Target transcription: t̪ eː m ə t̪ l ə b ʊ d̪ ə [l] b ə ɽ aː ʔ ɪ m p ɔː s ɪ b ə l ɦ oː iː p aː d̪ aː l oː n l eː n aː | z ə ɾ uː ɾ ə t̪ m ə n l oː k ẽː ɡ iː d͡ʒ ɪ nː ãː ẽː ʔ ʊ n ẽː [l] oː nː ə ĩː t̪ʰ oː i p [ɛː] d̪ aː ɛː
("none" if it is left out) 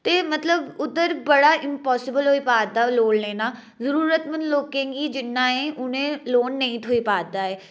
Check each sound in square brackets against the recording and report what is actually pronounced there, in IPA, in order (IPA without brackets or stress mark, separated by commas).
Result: ɾ, l, aː